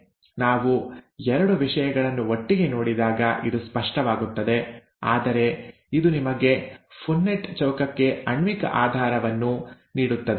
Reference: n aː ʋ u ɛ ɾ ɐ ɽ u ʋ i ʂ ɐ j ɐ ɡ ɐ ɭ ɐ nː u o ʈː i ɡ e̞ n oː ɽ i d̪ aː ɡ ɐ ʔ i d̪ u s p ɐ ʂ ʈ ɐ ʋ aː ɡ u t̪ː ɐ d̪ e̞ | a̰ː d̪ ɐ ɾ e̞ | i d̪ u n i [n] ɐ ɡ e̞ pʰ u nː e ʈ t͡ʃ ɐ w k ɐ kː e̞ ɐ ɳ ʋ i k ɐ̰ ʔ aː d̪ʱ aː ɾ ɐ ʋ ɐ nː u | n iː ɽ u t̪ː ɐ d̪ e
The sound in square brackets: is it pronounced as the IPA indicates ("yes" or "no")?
no